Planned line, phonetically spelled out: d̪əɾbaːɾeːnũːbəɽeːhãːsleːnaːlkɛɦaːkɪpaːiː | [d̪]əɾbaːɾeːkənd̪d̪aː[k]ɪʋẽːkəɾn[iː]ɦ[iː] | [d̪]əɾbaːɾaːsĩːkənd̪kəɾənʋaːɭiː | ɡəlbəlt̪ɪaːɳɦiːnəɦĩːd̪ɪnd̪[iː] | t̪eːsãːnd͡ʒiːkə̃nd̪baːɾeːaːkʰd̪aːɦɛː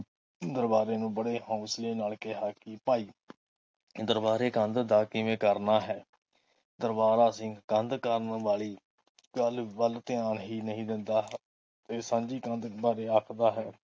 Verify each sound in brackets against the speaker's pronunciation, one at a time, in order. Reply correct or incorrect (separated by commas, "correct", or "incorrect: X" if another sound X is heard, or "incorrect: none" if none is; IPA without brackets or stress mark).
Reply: correct, correct, incorrect: aː, incorrect: ɛː, correct, incorrect: aː